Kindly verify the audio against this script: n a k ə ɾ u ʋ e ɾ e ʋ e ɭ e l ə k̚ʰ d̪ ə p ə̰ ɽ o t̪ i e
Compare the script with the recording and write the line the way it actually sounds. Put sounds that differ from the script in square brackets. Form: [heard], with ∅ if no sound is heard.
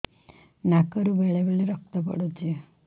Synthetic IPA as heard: n a k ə ɾ u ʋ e [ɭ] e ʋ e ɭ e [ɾ] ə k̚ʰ [t̪] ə p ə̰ ɽ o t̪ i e

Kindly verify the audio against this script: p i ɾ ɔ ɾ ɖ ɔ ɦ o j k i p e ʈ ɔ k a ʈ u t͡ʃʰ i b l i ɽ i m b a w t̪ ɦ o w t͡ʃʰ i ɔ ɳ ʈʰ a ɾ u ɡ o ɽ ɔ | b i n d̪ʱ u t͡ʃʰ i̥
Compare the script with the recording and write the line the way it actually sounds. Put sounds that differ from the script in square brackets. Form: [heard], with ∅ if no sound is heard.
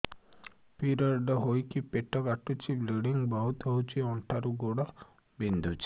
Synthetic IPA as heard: p i ɾ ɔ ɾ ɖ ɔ ɦ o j k i p e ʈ ɔ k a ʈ u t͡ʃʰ i b l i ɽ i [ŋ] b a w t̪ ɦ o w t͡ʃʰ i ɔ ɳ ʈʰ a ɾ u ɡ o ɽ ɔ | b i n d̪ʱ u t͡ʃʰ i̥

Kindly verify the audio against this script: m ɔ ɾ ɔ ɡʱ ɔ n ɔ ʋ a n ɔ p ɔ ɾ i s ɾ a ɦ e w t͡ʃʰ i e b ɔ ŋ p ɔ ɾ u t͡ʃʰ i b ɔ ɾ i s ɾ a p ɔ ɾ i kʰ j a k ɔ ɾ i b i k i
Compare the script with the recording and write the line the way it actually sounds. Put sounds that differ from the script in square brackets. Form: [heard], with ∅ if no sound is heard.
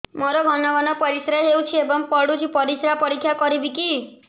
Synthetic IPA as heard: m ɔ ɾ ɔ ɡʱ ɔ n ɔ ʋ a n ɔ p ɔ ɾ i s ɾ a ɦ e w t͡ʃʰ i e b ɔ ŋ p ɔ [ɽ] u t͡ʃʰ i [p] ɔ ɾ i s ɾ a p ɔ ɾ i kʰ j a k ɔ ɾ i b i k i

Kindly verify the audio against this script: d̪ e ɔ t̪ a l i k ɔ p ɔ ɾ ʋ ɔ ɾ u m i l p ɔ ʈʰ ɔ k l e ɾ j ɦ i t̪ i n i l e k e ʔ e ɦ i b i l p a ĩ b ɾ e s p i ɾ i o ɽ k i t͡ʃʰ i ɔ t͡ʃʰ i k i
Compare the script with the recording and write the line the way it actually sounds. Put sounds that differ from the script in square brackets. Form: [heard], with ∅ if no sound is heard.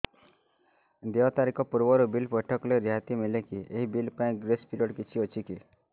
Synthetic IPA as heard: d̪ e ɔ t̪ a [ɾ] i k ɔ p [u] ɾ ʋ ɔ ɾ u [b] i l p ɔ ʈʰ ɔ k l e ɾ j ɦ [a] t̪ i [m] i l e k [i] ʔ e ɦ i b i l p a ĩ [ɡ] ɾ e s p i ɾ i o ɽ k i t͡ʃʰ i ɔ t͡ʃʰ i k i

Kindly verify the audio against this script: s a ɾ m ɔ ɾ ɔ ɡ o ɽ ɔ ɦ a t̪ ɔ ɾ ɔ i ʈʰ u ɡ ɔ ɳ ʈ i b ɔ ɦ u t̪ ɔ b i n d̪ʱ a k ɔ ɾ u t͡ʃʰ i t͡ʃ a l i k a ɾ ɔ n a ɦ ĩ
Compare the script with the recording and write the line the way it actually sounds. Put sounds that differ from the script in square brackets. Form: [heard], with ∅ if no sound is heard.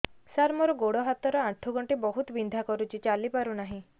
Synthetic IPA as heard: s a ɾ m ɔ ɾ ɔ ɡ o ɽ ɔ ɦ a t̪ ɔ ɾ ɔ [a] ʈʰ u ɡ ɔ ɳ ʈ i b ɔ ɦ u t̪ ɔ b i n d̪ʱ a k ɔ ɾ u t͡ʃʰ i t͡ʃ a l i [p] a ɾ [u] n a ɦ ĩ

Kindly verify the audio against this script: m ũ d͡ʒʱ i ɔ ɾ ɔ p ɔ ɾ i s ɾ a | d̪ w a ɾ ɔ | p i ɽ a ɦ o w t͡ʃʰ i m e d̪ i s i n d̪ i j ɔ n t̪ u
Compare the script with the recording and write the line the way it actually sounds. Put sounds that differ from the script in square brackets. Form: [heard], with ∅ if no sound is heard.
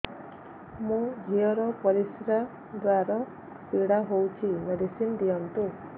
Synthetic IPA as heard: m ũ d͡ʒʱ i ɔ ɾ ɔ p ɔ ɾ i s ɾ a | d̪ w a ɾ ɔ | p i ɽ a ɦ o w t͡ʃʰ i m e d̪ i s i n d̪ i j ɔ n t̪ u

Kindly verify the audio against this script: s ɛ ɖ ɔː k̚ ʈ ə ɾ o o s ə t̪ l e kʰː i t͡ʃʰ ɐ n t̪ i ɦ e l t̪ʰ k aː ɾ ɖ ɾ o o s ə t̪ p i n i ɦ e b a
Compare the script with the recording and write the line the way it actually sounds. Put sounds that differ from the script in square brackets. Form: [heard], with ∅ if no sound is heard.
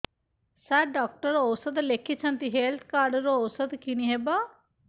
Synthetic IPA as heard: s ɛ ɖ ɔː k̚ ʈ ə ɾ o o s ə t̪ l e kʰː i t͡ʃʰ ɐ n t̪ i ɦ e l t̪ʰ k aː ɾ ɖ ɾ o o s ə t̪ [k] i n i ɦ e b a

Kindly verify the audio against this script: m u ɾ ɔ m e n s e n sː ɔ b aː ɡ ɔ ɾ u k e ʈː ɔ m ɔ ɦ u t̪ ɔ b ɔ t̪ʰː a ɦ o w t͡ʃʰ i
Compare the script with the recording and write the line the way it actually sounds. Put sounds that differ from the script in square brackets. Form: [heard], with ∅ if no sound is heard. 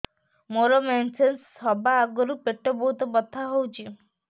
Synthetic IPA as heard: m [o] ɾ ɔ m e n s e n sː ɔ b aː ɡ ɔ ɾ u [p] e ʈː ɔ [b] ɔ ɦ u t̪ ɔ b ɔ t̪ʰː a ɦ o w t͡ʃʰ i

